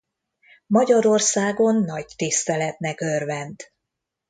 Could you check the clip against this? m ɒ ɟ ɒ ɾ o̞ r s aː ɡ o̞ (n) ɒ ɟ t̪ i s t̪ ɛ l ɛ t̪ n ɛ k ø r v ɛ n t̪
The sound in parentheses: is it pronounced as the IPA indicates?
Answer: no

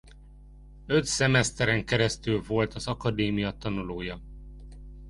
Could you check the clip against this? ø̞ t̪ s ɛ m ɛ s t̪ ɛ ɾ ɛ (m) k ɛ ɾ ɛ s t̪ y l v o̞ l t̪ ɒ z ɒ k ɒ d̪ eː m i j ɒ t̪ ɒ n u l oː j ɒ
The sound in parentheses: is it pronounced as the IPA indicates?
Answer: no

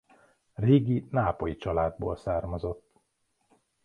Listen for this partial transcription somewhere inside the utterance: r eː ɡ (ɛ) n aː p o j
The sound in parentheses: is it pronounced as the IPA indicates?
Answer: no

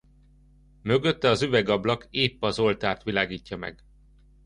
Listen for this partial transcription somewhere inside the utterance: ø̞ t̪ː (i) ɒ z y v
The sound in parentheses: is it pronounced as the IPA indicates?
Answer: no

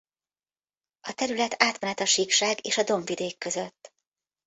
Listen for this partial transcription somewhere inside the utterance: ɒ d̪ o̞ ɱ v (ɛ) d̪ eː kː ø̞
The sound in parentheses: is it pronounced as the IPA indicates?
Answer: no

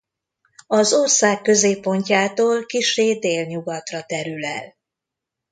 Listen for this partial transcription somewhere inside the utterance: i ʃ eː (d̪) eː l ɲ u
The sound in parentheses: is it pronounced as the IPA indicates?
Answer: yes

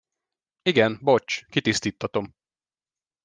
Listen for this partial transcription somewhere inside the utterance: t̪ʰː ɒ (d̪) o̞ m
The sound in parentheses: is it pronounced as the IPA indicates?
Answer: no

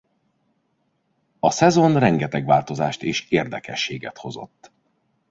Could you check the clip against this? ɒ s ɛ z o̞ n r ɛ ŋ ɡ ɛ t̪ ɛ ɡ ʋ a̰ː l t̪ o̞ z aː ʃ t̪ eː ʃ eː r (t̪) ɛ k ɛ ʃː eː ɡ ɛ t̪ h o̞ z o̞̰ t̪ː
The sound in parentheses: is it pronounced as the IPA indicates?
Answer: no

